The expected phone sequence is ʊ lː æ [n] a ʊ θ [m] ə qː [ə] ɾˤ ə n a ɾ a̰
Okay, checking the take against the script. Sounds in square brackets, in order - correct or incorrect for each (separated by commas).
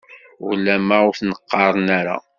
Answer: incorrect, incorrect, incorrect